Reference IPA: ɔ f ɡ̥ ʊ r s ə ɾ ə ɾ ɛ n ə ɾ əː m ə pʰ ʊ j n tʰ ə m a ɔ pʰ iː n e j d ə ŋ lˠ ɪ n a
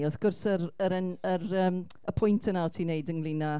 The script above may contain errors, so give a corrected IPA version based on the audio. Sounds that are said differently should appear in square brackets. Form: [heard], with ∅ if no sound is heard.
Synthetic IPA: ɔ [θ] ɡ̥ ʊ r s ə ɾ ə ɾ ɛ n ə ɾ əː m ə pʰ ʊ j n tʰ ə [n] a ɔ [tʰ] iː n e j d ə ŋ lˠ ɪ n a